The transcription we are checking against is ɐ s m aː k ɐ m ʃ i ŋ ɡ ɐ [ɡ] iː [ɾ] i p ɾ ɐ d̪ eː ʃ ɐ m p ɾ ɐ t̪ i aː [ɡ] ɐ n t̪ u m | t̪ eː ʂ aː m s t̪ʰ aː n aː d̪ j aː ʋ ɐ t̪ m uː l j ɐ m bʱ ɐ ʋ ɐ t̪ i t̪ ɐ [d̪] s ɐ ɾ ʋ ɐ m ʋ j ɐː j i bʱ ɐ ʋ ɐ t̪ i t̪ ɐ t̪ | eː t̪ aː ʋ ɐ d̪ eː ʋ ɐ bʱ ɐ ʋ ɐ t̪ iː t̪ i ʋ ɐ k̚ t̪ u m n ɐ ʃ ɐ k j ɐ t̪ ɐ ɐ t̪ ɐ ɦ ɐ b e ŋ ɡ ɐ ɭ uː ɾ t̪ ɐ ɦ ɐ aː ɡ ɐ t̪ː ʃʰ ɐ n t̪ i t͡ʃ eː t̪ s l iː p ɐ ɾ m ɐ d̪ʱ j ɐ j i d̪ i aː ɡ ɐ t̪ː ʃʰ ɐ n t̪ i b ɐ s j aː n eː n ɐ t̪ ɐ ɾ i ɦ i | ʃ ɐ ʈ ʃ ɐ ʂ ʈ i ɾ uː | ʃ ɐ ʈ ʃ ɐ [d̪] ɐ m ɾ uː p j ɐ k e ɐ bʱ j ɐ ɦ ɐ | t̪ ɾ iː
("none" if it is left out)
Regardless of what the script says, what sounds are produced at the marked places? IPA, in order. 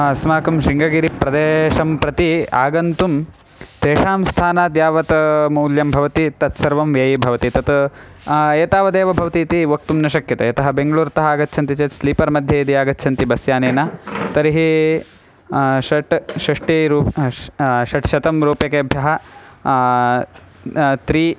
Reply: ɡ, ɾ, ɡ, t̪, t̪

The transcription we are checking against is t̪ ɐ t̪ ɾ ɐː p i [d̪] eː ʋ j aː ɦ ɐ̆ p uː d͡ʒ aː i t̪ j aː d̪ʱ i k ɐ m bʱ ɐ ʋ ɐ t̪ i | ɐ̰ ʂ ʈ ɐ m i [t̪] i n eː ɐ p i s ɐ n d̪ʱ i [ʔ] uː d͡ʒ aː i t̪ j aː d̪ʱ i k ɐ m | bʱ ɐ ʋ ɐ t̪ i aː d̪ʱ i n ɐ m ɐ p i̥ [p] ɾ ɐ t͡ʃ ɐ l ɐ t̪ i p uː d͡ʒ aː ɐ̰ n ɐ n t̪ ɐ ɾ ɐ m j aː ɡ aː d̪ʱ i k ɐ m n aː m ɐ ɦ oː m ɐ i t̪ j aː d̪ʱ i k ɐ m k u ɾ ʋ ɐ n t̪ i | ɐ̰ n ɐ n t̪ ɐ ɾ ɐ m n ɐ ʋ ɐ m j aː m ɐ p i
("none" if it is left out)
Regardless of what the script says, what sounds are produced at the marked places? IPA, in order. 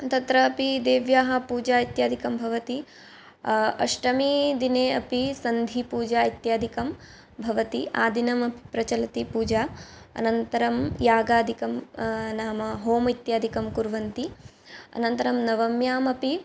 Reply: d̪, d̪, p, p

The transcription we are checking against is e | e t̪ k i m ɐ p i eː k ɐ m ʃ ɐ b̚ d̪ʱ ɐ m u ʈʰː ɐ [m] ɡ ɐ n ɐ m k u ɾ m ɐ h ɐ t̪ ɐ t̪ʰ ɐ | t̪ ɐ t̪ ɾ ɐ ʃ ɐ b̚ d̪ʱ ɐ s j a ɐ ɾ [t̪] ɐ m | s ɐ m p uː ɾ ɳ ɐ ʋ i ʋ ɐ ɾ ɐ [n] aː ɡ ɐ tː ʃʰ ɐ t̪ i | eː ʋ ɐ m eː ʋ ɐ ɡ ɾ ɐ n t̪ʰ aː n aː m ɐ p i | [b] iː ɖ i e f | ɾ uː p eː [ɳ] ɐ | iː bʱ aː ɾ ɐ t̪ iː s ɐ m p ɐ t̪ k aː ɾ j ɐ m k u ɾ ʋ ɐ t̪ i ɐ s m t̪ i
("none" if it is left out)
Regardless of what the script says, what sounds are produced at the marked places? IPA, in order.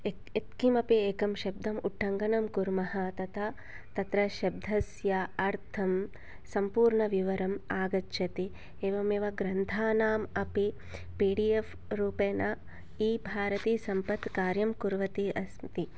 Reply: ŋ, t̪ʰ, m, p, n

